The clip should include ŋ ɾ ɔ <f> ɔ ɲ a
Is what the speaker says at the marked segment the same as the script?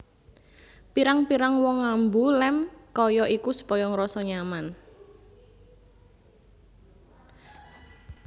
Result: no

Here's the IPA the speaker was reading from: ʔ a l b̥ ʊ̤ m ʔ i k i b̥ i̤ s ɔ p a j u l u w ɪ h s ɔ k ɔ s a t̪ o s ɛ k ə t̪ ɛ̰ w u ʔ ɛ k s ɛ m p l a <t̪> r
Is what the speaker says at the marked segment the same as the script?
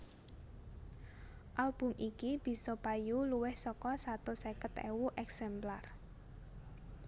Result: no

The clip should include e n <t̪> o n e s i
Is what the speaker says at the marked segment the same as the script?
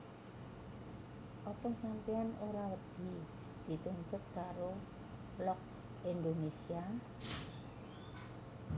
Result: no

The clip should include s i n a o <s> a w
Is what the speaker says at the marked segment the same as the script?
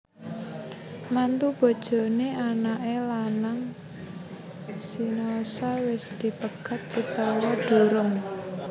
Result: yes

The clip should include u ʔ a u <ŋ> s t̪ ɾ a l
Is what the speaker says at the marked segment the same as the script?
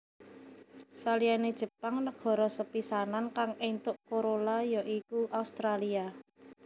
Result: no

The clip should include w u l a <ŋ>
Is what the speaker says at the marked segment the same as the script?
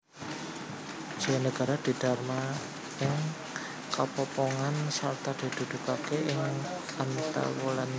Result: no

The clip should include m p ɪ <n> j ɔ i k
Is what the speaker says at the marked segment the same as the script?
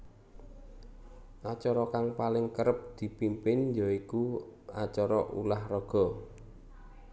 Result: yes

